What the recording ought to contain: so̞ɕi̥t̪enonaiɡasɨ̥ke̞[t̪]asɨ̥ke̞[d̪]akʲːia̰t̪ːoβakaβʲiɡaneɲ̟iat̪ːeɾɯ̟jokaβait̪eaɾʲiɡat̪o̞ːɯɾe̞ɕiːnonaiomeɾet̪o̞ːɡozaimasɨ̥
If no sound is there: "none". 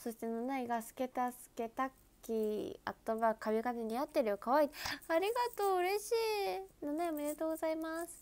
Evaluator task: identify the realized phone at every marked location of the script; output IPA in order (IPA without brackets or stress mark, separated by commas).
t̪, t̪